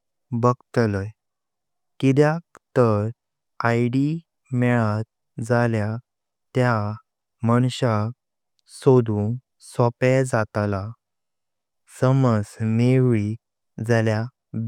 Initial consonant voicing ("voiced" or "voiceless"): voiced